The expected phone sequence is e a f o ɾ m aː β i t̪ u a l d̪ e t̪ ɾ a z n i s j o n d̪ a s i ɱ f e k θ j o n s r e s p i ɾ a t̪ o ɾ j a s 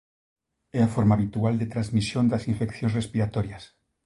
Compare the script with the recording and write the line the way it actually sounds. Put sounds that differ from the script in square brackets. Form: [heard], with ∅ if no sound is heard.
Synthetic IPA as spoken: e a f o ɾ m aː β i t̪ u a l d̪ e t̪ ɾ a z [m] i s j o n d̪ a s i ɱ f e k θ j o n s r e s p i ɾ a t̪ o ɾ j a s